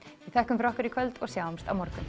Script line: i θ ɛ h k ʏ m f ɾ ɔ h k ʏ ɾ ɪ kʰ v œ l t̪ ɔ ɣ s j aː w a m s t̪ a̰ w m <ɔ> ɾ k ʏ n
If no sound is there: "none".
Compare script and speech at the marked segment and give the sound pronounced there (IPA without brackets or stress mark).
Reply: ɔ